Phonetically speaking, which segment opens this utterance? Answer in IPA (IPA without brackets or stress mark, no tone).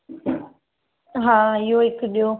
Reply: ɦ